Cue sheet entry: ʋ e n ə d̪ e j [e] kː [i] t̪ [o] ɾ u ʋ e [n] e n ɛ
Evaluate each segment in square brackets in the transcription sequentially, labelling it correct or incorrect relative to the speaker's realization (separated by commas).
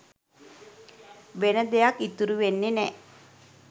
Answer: incorrect, correct, incorrect, incorrect